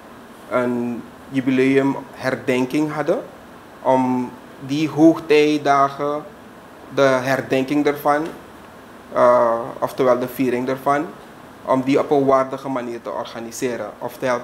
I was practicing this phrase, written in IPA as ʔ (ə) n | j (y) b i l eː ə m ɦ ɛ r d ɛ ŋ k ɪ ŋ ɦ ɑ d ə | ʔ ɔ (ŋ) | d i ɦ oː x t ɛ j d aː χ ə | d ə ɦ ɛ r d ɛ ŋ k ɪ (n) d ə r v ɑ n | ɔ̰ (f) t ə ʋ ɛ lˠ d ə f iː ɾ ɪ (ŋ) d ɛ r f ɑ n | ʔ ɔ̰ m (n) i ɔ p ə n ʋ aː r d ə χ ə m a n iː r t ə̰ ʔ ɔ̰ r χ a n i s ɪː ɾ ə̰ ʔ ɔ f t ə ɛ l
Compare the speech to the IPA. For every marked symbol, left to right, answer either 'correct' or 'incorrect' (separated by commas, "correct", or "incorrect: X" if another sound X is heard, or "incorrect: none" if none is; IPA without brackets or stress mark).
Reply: correct, correct, incorrect: m, incorrect: ŋ, correct, correct, incorrect: d